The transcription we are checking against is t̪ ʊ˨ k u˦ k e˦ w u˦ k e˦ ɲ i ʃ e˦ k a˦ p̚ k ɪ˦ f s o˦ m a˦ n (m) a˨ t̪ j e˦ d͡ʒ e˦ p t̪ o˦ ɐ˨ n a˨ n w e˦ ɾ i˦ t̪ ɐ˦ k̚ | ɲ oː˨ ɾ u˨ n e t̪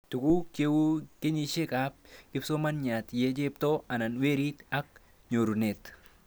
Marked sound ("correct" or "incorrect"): incorrect